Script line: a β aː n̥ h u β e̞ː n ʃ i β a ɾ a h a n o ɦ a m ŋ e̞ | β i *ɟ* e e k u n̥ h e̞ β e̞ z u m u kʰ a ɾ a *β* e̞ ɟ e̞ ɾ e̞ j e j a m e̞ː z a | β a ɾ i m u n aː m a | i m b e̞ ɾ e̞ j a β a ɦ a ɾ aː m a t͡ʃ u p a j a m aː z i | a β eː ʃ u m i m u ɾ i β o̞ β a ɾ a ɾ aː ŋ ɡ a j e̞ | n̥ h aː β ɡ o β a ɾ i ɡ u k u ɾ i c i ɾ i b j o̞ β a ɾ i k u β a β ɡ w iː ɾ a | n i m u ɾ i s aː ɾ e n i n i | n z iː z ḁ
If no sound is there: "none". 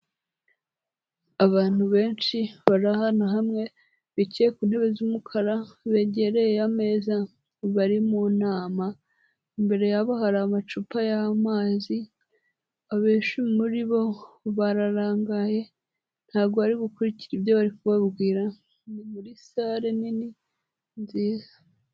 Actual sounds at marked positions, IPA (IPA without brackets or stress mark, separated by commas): c, β